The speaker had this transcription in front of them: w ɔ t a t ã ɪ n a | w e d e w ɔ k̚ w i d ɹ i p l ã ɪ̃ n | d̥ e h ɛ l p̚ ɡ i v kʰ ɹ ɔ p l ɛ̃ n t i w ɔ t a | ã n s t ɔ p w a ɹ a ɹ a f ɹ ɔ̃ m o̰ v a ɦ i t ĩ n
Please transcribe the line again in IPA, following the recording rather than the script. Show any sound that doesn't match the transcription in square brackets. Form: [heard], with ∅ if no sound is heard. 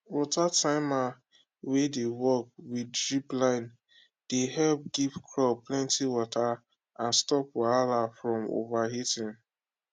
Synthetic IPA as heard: w ɔ t a t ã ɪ [m] a | w e d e w ɔ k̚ w i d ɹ i p l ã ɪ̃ n | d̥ e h ɛ l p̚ ɡ i v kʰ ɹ ɔ p l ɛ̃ n t i w ɔ t a | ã n s t ɔ p w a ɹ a [l] a f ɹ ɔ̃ m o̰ v a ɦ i t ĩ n